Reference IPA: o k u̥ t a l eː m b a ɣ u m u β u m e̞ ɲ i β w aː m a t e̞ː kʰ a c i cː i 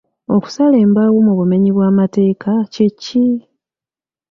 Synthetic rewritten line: o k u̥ s a l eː m b a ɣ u m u β u m e̞ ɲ i β w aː m a t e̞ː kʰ a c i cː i